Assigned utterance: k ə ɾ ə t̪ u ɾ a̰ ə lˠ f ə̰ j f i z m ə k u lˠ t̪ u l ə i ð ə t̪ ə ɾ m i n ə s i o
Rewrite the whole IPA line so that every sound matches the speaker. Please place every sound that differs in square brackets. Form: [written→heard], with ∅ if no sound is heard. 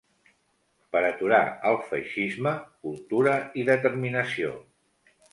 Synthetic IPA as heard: [k→p] ə ɾ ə t̪ u ɾ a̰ ə lˠ f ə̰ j [f→ʃ] i z m ə k u lˠ t̪ u [l→ɾ] ə i ð ə t̪ ə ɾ m i n ə s i o